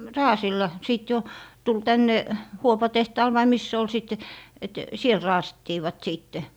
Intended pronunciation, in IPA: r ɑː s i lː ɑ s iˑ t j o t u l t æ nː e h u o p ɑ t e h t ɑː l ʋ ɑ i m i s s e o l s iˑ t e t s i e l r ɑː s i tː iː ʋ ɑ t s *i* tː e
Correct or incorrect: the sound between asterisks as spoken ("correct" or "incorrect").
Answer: incorrect